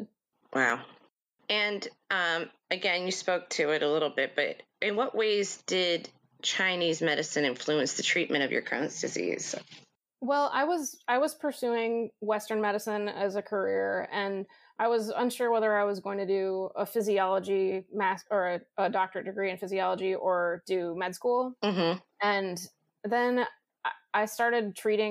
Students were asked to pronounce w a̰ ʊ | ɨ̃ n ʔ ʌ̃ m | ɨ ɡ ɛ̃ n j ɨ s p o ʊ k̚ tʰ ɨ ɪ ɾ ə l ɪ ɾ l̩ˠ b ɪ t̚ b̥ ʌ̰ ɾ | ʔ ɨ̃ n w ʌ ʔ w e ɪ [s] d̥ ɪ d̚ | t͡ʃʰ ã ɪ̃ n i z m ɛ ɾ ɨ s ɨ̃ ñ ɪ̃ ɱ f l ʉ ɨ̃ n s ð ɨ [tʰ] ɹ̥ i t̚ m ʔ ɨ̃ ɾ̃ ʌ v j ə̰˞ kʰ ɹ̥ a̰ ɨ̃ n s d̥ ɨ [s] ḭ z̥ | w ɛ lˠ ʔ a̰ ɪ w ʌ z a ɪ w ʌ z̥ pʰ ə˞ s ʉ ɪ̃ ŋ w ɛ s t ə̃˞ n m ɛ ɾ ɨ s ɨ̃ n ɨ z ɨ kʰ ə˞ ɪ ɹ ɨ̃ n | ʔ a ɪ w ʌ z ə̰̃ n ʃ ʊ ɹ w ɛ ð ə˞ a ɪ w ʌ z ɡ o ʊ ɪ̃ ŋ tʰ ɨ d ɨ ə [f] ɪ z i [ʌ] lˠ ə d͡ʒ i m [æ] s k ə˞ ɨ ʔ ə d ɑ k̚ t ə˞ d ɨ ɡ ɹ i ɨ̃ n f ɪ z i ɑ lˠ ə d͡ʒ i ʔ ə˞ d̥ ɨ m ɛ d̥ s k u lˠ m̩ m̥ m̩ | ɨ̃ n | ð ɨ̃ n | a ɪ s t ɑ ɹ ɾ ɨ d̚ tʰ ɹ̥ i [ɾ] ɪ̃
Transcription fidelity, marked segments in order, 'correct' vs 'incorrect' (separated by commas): incorrect, correct, incorrect, correct, incorrect, correct, correct